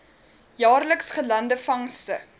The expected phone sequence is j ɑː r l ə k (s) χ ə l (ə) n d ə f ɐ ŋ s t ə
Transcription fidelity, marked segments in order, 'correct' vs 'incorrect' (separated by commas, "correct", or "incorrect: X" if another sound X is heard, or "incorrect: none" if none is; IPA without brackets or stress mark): correct, incorrect: ɐ